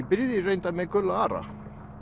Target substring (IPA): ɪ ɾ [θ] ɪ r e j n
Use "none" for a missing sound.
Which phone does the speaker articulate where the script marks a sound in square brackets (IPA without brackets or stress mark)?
ð